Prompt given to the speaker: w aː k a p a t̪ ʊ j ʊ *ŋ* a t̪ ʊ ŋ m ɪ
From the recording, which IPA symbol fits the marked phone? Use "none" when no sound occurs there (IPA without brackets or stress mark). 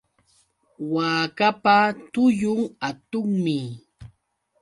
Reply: ŋ